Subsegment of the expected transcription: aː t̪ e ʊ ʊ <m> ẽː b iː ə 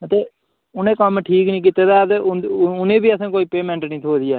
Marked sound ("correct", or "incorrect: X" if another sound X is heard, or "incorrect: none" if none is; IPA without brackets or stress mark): incorrect: n